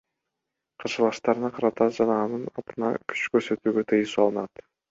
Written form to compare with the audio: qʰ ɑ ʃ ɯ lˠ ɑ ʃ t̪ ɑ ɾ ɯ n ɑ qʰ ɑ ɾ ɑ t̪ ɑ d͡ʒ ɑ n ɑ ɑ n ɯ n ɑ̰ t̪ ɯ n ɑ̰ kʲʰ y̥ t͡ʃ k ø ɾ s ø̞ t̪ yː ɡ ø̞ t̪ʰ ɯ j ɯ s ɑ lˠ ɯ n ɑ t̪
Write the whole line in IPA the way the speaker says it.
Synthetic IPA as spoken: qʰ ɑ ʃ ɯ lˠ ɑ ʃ t̪ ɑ ɾ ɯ n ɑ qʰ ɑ ɾ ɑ t̪ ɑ d͡ʒ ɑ n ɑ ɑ n ɯ n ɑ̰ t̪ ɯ n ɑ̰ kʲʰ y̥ t͡ʃ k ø ɾ s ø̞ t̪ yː ɡ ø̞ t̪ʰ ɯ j ɯ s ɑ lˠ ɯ n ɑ t̪

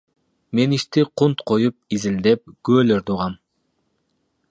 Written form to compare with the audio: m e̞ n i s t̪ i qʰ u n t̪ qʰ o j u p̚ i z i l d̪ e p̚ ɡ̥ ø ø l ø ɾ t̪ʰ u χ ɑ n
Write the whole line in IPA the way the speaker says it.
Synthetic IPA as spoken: m e̞ n i ʃ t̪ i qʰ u n t̪ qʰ o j u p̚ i z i l d̪ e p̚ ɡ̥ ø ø l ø ɾ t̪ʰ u ʁ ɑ m

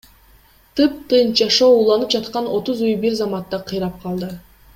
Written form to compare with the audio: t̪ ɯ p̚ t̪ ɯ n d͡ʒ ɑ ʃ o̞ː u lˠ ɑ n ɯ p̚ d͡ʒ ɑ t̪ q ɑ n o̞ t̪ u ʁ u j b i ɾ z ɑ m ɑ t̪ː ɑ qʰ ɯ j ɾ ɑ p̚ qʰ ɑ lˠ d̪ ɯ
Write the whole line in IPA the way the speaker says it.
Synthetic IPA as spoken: t̪ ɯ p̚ t̪ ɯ n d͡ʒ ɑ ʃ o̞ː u lˠ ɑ n ɯ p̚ d͡ʒ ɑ t̪ q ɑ n o̞ t̪ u z u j b i ɾ z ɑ m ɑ t̪ː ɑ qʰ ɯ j ɾ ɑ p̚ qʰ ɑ lˠ d̪ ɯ

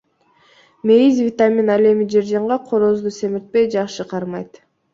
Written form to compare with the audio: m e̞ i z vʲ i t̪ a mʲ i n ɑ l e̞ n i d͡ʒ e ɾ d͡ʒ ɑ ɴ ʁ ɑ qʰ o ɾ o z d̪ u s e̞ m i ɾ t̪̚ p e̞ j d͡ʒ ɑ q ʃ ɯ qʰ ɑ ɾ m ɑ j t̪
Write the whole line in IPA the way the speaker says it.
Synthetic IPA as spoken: m e̞ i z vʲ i t̪ a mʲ i n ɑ l e̞ m i d͡ʒ e ɾ d͡ʒ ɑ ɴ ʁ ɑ qʰ o ɾ o z d̪ u s e̞ m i ɾ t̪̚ p e̞ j d͡ʒ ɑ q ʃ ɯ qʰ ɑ ɾ m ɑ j t̪

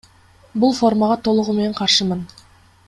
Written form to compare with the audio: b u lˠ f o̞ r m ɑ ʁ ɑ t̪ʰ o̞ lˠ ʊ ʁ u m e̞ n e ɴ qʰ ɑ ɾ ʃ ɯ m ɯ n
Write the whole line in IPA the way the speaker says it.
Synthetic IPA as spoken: b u lˠ f o̞ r m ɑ ʁ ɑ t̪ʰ o̞ lˠ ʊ ʁ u m e̞ n e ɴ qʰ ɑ ɾ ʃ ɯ m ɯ n

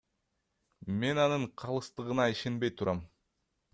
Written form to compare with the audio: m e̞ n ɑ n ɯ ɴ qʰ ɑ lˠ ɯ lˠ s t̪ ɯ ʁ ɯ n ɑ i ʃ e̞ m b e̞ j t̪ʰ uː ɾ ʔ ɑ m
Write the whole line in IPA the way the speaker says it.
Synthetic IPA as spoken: m e̞ n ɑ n ɯ ɴ qʰ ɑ lˠ ɯ s t̪ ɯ ʁ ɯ n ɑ i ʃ e̞ n b e̞ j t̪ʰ u ɾ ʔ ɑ m

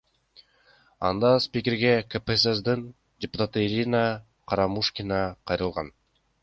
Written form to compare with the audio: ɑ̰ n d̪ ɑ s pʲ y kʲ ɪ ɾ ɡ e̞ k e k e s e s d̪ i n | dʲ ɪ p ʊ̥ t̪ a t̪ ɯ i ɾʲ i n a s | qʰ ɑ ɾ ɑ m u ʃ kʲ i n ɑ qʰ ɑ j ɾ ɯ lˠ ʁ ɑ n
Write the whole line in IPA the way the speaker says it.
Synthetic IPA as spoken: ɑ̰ n d̪ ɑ s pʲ i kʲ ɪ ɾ ɡ e̞ k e p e s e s d̪ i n | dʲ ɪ p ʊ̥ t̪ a t̪ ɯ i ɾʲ i n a | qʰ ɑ ɾ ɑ m u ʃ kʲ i n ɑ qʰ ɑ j ɾ ɯ lˠ ʁ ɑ n

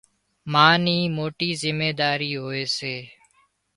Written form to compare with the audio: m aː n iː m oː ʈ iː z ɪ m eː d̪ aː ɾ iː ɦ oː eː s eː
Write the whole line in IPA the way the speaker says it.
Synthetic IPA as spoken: m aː n iː m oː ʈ iː z ɪ m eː d̪ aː ɾ iː ɦ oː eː s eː

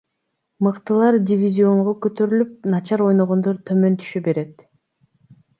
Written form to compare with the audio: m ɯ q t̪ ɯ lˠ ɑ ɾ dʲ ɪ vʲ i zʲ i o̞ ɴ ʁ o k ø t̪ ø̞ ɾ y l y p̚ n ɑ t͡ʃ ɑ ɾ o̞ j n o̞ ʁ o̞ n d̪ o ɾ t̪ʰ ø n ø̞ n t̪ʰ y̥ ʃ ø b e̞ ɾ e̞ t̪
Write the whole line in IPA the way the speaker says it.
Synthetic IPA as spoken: m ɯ q t̪ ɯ lˠ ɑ ɾ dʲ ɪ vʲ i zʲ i o̞ ɴ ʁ o k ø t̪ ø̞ ɾ y l y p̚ n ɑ t͡ʃ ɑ ɾ o̞ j n o̞ ʁ o̞ n d̪ o ɾ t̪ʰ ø m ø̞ n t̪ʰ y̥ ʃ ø b e̞ ɾ e̞ t̪

